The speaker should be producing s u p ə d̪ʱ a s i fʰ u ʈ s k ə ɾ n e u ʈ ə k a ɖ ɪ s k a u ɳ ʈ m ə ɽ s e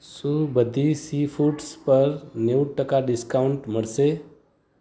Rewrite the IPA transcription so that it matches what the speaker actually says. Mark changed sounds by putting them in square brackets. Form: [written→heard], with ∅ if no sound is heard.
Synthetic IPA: s u [p→b] ə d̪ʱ [a→i] s i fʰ u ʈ s [k→p] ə ɾ n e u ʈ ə k a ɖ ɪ s k a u ɳ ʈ m ə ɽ s e